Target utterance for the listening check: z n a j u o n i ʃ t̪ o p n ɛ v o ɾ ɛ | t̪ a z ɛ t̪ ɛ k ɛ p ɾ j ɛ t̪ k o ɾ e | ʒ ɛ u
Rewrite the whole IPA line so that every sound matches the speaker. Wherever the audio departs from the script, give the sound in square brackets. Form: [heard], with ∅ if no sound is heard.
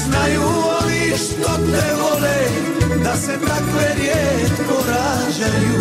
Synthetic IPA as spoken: z n a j u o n i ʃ t̪ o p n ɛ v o [l] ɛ | [d̪] a [s] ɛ t̪ [a] k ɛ [∅] ɾ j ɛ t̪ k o ɾ [a] | ʒ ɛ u